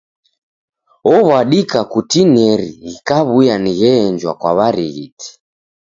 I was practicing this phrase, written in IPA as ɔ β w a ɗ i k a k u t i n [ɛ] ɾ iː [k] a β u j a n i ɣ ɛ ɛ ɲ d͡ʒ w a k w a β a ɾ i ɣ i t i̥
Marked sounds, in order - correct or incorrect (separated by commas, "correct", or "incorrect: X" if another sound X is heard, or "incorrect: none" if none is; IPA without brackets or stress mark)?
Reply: correct, correct